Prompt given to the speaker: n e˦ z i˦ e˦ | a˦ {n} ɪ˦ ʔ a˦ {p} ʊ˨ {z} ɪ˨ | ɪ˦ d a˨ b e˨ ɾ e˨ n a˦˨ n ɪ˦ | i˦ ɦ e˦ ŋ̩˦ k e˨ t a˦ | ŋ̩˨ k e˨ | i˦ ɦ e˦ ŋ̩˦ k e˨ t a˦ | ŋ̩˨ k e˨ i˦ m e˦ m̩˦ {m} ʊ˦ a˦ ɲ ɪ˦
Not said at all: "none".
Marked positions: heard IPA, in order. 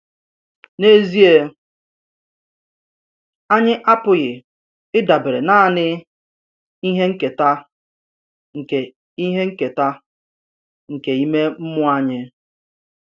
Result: ɲ, p, ɣ, m

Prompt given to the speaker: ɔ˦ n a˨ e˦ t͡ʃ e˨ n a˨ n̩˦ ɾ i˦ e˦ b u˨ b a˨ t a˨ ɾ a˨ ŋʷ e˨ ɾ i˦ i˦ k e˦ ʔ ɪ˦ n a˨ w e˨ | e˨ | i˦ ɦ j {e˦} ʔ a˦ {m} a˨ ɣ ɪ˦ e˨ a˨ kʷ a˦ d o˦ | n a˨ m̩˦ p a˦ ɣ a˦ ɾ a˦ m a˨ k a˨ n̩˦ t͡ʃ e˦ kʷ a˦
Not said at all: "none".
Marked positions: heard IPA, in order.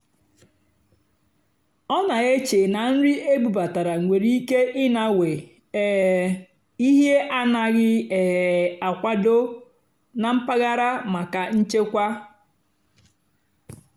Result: e˦, n

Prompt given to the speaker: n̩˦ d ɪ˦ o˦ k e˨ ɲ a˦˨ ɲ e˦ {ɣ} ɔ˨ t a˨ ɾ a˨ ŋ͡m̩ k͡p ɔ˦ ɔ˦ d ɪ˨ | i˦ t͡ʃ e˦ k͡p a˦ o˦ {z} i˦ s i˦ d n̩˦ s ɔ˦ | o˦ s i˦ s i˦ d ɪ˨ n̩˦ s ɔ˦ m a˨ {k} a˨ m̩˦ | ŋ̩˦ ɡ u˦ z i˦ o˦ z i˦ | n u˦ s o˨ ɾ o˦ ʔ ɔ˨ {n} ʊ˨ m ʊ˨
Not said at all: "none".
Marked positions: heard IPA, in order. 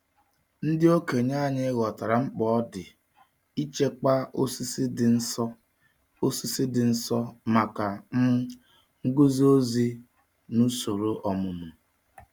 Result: ɣ, s, k, m

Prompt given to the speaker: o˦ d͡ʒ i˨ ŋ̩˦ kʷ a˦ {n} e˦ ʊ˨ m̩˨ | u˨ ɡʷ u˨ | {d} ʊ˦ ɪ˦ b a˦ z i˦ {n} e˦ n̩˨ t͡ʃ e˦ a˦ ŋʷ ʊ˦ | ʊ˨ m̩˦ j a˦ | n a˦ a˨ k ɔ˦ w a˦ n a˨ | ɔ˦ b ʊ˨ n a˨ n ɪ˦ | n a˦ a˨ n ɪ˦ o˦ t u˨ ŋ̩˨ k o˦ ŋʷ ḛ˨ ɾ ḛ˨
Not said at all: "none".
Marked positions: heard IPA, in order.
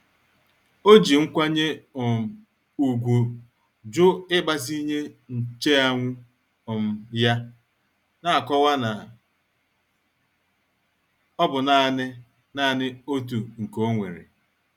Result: ɲ, d͡ʒ, ɲ

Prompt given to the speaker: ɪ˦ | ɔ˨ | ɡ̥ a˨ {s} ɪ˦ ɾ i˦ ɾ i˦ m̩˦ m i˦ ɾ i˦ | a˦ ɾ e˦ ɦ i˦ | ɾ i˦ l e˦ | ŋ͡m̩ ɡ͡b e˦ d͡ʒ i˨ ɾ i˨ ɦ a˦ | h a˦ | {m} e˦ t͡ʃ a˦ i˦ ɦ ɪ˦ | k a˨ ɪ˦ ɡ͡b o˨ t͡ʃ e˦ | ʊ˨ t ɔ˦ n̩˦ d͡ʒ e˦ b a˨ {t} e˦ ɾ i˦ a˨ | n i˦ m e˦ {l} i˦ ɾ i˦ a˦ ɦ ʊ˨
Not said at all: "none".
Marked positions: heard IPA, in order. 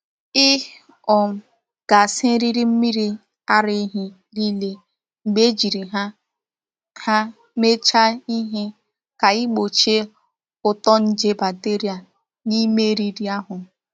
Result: s, m, t, ɾ

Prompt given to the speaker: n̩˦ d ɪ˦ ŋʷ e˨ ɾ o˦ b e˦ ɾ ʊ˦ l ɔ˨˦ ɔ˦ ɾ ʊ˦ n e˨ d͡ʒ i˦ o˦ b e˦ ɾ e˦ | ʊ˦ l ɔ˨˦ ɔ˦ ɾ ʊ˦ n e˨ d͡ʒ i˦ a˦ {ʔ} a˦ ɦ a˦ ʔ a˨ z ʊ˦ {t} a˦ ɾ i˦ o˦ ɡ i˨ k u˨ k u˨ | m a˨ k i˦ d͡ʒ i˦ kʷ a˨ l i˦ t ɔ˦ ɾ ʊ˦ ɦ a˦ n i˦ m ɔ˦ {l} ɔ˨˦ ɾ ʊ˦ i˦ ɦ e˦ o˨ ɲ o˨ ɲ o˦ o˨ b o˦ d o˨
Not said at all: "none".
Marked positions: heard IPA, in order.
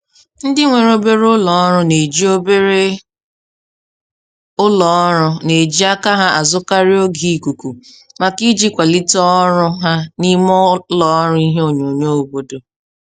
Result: k, k, l

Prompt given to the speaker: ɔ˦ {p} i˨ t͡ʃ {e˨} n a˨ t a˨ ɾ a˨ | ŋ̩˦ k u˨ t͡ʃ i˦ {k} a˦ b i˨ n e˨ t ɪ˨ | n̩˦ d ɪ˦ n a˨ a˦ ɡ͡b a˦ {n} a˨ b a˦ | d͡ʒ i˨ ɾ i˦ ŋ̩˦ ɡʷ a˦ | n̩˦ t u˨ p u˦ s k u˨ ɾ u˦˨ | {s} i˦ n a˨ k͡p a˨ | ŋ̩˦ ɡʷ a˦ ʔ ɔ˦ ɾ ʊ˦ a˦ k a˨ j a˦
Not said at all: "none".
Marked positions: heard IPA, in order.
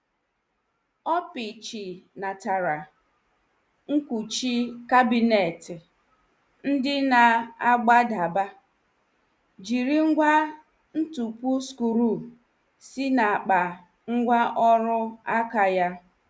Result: p, i˨, k, d, s

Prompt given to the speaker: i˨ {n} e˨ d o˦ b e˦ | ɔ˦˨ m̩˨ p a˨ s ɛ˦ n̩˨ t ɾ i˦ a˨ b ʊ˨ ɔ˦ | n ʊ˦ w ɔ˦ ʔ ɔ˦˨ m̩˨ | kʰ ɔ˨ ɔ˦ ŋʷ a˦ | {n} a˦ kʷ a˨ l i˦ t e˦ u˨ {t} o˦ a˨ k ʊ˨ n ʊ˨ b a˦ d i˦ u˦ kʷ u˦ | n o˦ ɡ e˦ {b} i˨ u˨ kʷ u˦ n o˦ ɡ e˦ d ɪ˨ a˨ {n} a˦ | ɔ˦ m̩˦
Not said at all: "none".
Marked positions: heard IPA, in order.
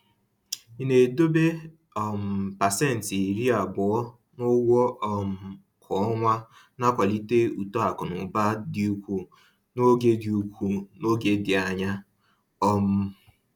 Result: n, n, t, d, ɲ

